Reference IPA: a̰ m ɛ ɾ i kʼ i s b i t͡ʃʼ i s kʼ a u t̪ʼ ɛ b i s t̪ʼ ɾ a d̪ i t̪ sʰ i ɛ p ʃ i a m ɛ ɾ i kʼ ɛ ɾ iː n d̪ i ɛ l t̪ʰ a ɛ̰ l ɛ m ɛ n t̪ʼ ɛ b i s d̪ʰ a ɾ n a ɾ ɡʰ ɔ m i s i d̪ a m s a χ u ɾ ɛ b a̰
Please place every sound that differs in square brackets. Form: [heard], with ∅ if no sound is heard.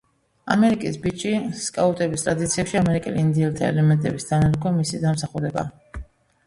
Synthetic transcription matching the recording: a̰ m ɛ ɾ i kʼ i s b i t͡ʃʼ i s kʼ a u t̪ʼ ɛ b i s t̪ʼ ɾ a d̪ i t̪ sʰ i ɛ p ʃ i a m ɛ ɾ i kʼ ɛ [l] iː n d̪ i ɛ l t̪ʰ a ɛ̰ l ɛ m ɛ n t̪ʼ ɛ b i s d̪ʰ a [∅] n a ɾ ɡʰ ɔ m i s i d̪ a m s a χ u ɾ ɛ b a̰